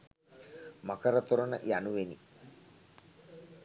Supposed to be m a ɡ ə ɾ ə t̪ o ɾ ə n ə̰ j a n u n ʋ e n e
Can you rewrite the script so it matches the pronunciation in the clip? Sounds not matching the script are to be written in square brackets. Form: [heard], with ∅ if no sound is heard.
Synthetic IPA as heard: m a [k] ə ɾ ə t̪ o ɾ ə n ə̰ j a n u [∅] ʋ e n [i]